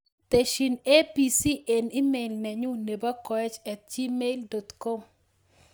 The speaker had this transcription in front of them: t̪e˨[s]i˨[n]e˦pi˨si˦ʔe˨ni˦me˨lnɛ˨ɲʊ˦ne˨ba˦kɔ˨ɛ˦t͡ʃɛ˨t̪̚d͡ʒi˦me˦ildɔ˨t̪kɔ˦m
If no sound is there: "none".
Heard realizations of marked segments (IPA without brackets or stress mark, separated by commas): ʃ, n